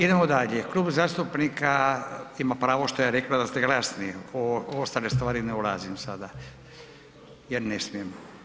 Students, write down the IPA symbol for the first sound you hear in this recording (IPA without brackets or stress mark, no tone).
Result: i